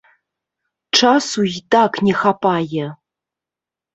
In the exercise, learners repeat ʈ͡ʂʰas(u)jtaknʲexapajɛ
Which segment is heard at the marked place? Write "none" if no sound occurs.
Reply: u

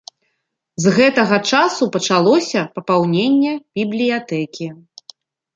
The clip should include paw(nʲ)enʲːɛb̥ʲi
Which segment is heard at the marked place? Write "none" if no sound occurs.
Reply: nʲ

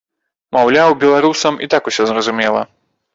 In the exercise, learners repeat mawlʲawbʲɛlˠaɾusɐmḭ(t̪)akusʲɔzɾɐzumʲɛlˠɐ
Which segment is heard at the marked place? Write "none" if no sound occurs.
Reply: t̪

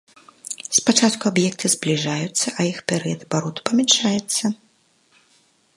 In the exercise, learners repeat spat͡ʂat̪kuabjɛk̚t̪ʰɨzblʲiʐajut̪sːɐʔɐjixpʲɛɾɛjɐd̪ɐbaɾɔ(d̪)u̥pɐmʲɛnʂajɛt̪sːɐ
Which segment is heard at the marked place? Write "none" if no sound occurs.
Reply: t̪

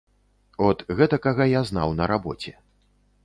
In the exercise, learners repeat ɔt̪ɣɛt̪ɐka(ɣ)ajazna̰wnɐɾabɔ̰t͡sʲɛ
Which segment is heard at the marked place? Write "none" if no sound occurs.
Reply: ɣ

